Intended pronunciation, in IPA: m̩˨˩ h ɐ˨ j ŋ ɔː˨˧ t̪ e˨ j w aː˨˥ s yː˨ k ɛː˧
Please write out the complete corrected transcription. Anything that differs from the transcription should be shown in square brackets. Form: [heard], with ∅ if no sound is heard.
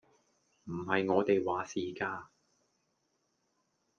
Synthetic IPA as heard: m̩˨˩ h ɐ˨ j ŋ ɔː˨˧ t̪ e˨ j w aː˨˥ s [iː˨] k [aː˧]